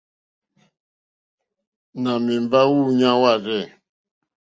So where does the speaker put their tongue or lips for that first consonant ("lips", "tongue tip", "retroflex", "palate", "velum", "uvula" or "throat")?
tongue tip